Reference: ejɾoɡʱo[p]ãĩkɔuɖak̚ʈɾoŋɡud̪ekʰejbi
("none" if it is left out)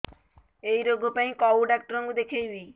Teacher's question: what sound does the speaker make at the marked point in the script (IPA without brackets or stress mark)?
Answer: p